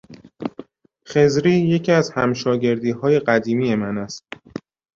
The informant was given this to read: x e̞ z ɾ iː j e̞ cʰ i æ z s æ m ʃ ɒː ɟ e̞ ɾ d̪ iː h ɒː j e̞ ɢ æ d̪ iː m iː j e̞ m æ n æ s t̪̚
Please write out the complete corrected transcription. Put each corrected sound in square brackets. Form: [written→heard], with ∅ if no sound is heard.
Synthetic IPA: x e̞ z ɾ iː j e̞ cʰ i æ z [s→h] æ m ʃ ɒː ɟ e̞ ɾ d̪ iː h ɒː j e̞ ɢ æ d̪ iː m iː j e̞ m æ n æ s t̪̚

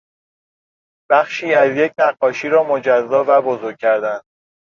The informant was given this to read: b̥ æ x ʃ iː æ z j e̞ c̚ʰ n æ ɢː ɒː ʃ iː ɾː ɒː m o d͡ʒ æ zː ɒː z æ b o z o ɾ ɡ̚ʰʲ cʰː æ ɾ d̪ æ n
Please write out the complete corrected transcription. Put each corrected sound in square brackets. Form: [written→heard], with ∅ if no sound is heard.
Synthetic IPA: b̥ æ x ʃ iː æ z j e̞ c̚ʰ n æ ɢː ɒː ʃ iː [ɾː→ɾ] ɒː m o d͡ʒ æ zː ɒː [z→v] æ b o z o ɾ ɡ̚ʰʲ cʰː æ ɾ d̪ æ n

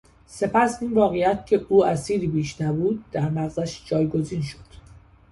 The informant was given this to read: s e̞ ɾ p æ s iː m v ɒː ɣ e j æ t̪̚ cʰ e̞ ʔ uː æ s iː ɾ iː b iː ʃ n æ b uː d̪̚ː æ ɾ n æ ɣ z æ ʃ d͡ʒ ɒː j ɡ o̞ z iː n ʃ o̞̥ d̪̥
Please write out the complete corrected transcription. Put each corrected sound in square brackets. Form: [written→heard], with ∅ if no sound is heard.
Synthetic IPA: s e̞ [ɾ→∅] p æ s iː [m→n] v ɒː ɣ e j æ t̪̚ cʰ e̞ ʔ uː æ s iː ɾ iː b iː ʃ n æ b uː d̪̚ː æ ɾ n æ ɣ z æ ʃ d͡ʒ ɒː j ɡ o̞ z iː n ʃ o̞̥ d̪̥

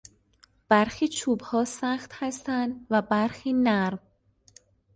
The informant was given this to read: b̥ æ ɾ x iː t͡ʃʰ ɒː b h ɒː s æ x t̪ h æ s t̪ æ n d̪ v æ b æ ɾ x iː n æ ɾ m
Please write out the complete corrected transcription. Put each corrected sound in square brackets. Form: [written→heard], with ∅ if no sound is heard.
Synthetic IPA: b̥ æ ɾ x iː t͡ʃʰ [ɒː→uː] b h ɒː s æ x t̪ h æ s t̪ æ n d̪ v æ b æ ɾ x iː n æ ɾ m

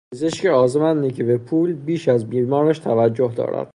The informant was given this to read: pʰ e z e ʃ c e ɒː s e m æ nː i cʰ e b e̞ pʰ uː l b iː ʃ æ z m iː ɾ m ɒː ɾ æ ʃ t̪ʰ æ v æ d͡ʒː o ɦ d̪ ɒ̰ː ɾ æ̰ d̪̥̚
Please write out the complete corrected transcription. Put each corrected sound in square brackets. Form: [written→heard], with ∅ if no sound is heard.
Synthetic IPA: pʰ e z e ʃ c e ɒː [s→z] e m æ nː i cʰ e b e̞ pʰ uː l b iː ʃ æ z m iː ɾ m ɒː ɾ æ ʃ t̪ʰ æ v æ d͡ʒː o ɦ d̪ ɒ̰ː ɾ æ̰ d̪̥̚

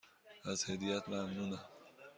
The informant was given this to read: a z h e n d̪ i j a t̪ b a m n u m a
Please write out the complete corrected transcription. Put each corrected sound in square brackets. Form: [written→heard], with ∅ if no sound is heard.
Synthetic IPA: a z h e [n→∅] d̪ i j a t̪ [b→m] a m n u [m→n] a

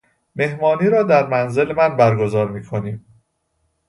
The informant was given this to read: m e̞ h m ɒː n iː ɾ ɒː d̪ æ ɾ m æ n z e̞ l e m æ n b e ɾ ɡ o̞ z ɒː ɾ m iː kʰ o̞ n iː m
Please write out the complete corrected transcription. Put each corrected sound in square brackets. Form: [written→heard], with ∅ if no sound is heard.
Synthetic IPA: m e̞ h m ɒː n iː ɾ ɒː d̪ æ ɾ m æ n z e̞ l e m æ n b [e→æ] ɾ ɡ o̞ z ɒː ɾ m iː kʰ o̞ n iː m

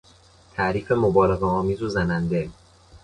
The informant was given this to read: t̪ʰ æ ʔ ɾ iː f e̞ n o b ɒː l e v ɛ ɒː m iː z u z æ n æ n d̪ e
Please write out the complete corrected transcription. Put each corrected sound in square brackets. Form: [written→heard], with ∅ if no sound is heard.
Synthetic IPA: t̪ʰ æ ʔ ɾ iː f e̞ [n→m] o b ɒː l e [v→ɣ] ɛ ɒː m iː z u z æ n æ n d̪ e

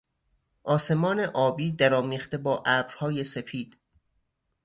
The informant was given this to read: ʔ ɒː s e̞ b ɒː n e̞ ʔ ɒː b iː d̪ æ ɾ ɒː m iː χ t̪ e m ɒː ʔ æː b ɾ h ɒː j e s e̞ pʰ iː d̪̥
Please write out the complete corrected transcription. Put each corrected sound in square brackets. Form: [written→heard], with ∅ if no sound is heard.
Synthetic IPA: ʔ ɒː s e̞ [b→m] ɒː n e̞ ʔ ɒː b iː d̪ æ ɾ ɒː m iː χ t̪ e [m→b] ɒː ʔ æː b ɾ h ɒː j e s e̞ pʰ iː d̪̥

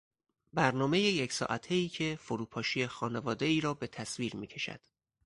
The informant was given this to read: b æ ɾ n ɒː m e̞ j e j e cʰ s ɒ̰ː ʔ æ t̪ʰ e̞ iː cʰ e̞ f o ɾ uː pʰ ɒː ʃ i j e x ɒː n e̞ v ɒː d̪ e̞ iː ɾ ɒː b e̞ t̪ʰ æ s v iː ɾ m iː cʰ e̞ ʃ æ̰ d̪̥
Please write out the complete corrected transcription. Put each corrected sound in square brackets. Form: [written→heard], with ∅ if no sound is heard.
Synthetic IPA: b æ ɾ n ɒː m e̞ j e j e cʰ s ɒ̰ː ʔ æ t̪ʰ e̞ iː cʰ e̞ f o ɾ uː pʰ ɒː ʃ i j e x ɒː n e̞ v ɒː d̪ e̞ iː ɾ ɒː b e̞ t̪ʰ æ s v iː ɾ m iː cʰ e̞ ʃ æ̰ d̪̥

